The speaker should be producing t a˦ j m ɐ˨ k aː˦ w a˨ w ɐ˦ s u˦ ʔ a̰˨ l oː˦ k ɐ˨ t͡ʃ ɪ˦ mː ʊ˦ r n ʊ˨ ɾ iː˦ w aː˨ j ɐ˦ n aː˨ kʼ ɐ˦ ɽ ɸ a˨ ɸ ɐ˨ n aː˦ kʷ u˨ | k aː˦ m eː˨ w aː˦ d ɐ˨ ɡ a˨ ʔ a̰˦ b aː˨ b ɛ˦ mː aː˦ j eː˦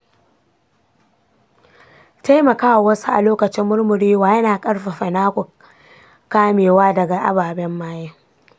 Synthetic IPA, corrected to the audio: t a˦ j m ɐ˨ k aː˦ w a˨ w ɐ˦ s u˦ ʔ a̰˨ l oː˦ k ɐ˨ t͡ʃ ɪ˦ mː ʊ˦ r m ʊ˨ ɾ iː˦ w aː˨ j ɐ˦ n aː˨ kʼ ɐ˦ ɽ ɸ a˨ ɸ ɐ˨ n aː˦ kʷ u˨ | k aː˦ m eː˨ w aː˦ d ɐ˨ ɡ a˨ ʔ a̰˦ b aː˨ b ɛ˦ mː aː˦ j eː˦